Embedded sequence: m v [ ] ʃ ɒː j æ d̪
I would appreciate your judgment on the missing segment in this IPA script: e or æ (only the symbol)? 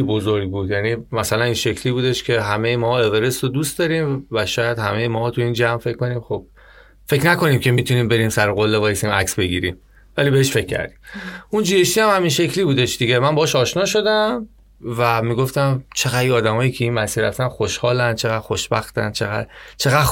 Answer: æ